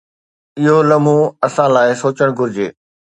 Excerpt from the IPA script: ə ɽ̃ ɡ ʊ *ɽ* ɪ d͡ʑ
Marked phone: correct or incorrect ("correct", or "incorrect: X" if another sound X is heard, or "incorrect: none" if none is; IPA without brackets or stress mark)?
incorrect: ɾ